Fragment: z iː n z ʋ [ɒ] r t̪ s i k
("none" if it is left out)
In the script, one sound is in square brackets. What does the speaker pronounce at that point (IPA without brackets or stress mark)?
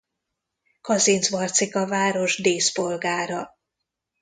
ɒ